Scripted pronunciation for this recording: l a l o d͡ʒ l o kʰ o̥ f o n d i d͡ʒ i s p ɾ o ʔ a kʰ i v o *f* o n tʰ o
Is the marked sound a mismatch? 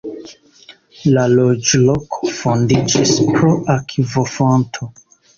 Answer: no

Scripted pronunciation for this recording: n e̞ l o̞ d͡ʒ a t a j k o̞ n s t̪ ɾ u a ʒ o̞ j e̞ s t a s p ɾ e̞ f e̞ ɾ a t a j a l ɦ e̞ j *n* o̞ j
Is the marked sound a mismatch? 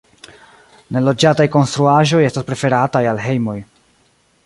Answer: yes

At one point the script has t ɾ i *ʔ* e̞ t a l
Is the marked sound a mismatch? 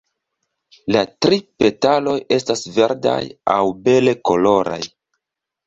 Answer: yes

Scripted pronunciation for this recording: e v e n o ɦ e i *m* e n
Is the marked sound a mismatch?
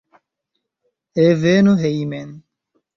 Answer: no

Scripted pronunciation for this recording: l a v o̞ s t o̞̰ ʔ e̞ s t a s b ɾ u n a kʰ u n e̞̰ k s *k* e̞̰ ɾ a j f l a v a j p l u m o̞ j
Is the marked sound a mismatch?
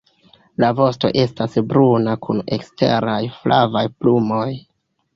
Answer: yes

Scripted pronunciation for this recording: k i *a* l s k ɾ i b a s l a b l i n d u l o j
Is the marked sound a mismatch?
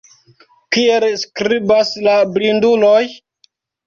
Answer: yes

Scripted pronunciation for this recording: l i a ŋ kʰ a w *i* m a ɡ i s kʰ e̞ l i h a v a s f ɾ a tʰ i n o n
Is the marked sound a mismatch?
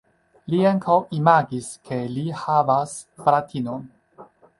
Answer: no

